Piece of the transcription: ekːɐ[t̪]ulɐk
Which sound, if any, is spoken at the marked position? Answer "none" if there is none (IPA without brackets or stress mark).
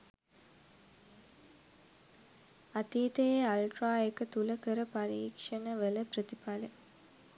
t̪